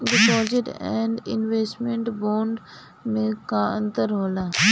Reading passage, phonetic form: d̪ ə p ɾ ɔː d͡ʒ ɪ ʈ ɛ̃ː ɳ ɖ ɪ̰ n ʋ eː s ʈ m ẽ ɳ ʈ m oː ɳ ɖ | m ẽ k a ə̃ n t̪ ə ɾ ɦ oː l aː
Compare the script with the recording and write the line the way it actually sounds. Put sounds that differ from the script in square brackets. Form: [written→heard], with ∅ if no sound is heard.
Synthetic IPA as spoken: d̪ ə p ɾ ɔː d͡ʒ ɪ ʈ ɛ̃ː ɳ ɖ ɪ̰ n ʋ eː s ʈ m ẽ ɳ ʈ [m→b] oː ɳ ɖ | m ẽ k a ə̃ n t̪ ə ɾ ɦ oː l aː